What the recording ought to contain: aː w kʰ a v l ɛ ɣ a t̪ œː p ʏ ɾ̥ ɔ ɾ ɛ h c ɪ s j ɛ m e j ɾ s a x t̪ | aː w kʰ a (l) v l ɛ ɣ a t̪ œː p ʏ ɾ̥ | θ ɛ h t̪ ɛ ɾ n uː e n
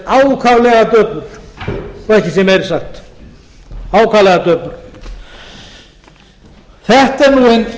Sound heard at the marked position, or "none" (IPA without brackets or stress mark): none